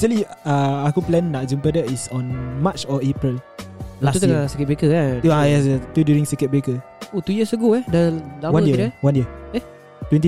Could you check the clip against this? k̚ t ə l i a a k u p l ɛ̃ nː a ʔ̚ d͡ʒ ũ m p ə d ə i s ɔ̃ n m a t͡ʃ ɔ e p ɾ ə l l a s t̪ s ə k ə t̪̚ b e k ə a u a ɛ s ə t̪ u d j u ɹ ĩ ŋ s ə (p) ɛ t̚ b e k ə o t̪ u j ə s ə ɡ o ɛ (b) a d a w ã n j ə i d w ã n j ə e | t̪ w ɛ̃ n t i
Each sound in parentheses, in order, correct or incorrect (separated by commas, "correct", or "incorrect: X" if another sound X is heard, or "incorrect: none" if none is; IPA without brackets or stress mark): incorrect: k, incorrect: d